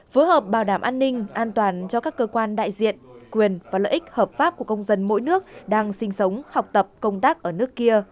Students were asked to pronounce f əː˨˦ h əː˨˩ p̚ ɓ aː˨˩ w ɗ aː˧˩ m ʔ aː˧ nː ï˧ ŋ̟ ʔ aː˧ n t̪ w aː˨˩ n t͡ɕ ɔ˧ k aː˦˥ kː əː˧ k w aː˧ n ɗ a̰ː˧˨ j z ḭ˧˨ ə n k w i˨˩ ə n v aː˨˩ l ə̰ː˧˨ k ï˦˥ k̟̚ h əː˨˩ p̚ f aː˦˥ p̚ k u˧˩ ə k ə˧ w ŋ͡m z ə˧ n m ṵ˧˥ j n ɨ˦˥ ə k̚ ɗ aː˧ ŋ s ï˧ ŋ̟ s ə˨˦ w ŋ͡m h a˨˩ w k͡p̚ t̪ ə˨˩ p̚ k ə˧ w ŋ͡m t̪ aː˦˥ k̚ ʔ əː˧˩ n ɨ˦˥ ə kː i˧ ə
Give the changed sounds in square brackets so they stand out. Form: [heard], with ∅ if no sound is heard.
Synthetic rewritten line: f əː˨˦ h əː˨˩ p̚ ɓ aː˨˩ w ɗ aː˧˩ m ʔ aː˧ nː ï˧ ŋ̟ ʔ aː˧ n t̪ w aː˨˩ n t͡ɕ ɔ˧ k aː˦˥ kː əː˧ k w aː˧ n ɗ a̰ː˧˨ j z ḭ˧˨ ə n k w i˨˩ ə n v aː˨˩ l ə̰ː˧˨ [ʔ] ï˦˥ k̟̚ h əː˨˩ p̚ f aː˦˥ p̚ k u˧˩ ə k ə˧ w ŋ͡m z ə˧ n m [o̰˧˥] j n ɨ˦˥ ə k̚ ɗ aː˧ ŋ s ï˧ ŋ̟ s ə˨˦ w ŋ͡m h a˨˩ w k͡p̚ t̪ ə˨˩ p̚ k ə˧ w ŋ͡m t̪ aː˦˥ k̚ ʔ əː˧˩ n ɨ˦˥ ə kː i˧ ə